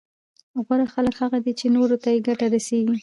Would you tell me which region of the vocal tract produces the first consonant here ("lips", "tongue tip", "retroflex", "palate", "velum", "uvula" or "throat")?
velum